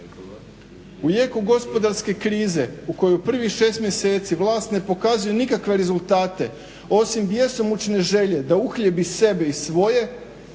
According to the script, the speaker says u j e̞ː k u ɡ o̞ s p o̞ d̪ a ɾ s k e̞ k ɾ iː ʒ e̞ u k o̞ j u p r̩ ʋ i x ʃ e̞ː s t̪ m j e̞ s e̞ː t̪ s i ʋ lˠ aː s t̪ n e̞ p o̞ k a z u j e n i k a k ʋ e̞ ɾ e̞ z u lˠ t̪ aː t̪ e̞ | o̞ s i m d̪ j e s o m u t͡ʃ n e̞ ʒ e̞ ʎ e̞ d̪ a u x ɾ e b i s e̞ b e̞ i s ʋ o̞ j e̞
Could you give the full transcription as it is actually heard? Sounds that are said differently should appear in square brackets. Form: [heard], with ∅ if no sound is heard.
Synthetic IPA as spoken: u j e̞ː k u ɡ o̞ s p o̞ d̪ a ɾ s k e̞ k ɾ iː [z] e̞ u k o̞ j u p r̩ ʋ i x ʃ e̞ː s t̪ m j e̞ s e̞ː t̪ s i ʋ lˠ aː s t̪ n e̞ p o̞ k a z u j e n i k a k ʋ e̞ ɾ e̞ z u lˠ t̪ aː t̪ e̞ | o̞ s i m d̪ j e s o m u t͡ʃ n e̞ ʒ e̞ ʎ e̞ d̪ a u x [ʎ] e b i s e̞ b e̞ i s ʋ o̞ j e̞

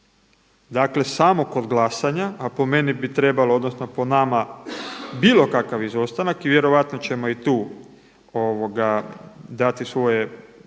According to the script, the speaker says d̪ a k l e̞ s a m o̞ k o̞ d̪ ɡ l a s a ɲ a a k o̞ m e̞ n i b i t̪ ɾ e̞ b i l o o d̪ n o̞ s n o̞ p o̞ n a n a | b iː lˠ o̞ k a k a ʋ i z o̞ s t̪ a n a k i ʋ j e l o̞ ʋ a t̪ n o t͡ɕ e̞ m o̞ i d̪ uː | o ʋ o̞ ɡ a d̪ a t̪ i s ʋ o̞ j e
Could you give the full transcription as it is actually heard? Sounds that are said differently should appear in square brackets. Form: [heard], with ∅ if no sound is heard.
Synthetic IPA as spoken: d̪ a k l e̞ s a m o̞ k o̞ d̪ ɡ l a s a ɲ a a [p] o̞ m e̞ n i b i t̪ ɾ e̞ b [a] l o o d̪ n o̞ s n o̞ p o̞ n a [m] a | b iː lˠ o̞ k a k a ʋ i z o̞ s t̪ a n a k i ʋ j e [ɾ] o̞ ʋ a t̪ n o t͡ɕ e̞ m o̞ i [t̪] uː | o ʋ o̞ ɡ a d̪ a t̪ i s ʋ o̞ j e

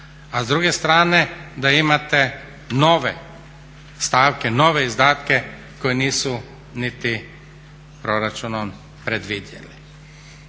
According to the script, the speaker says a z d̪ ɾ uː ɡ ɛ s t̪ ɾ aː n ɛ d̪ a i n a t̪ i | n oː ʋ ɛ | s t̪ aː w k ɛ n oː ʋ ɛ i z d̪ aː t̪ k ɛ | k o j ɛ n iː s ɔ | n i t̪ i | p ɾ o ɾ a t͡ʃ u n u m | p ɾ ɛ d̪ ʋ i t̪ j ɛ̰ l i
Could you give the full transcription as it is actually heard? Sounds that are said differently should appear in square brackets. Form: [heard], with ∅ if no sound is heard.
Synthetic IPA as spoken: a z d̪ ɾ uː ɡ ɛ s t̪ ɾ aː n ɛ d̪ a i [m] a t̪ [ɛ] | n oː ʋ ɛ | s t̪ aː w k ɛ n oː ʋ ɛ i z d̪ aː t̪ k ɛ | k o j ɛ n iː s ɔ | n i t̪ i | p ɾ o ɾ a t͡ʃ u n [ɔ] m | p ɾ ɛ d̪ ʋ i [d̪] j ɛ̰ l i

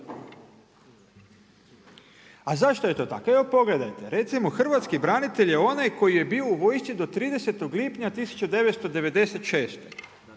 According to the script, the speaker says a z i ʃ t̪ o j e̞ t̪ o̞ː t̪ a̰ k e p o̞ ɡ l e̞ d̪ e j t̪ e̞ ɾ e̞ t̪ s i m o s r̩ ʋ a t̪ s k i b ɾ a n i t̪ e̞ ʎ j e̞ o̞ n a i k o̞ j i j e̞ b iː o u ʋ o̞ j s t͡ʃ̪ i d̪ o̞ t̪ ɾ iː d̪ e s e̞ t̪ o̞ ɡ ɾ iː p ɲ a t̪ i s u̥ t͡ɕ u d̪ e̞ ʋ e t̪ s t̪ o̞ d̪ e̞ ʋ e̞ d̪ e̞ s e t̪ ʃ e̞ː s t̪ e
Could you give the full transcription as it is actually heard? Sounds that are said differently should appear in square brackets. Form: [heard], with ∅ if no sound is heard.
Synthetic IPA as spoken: a z [a] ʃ t̪ o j e̞ t̪ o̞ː t̪ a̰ k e p o̞ ɡ l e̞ d̪ [a] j t̪ e̞ ɾ e̞ t̪ s i m o [x] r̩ ʋ a t̪ s k i b ɾ a n i t̪ e̞ ʎ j e̞ o̞ n a [j] k o̞ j i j e̞ b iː o u ʋ o̞ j s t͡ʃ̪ i d̪ o̞ t̪ ɾ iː d̪ e s e̞ t̪ o̞ ɡ [l] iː p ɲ a t̪ i s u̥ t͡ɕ u d̪ e̞ ʋ e t̪ s t̪ o̞ d̪ e̞ ʋ e̞ d̪ e̞ s e t̪ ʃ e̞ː s t̪ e

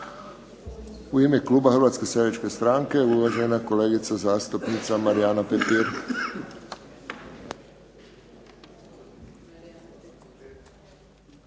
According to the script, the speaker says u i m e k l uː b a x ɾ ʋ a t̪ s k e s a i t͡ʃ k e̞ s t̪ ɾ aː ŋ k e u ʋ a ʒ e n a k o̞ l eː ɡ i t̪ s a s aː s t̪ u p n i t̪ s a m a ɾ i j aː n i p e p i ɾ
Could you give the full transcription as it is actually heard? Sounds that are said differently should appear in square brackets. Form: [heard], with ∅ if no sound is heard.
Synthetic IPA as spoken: u i m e k l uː b a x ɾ ʋ a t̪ s k e s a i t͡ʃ k e̞ s t̪ ɾ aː ŋ k e u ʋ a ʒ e n a k o̞ l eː ɡ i t̪ s a [z] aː s t̪ u p n i t̪ s a m a ɾ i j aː n [a] p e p i ɾ

